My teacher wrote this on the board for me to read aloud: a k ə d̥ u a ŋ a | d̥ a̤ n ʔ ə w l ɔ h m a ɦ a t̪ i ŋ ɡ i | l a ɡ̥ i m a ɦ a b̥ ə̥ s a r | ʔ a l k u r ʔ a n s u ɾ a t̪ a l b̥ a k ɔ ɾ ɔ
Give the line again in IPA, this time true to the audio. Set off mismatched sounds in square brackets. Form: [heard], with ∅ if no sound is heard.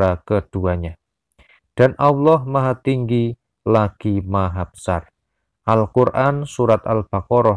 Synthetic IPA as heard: a k ə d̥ u a [ɲ] a | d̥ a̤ n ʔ [a] w l ɔ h m a ɦ a t̪ i ŋ ɡ i | l a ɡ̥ i m a ɦ a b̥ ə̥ s a r | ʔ a l k u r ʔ a n s u ɾ a t̪ a l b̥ a k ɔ ɾ ɔ

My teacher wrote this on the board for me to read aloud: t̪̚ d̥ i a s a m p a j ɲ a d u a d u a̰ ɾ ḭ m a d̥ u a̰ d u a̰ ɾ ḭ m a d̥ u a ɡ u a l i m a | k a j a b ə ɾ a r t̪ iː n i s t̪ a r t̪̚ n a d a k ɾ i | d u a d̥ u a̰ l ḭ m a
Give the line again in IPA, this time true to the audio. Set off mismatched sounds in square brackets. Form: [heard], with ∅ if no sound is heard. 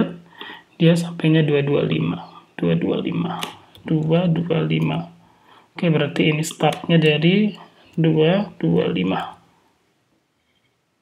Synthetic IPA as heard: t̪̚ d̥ i a s a m p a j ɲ a d u a d u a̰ [l] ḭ m a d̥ u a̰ d u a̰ [l] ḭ m a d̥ u a [d] u a l i m a | k a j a b ə ɾ a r t̪ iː n i s t̪ a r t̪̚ [ɲ] a d a [∅] ɾ i | d u a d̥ u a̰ l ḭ m a

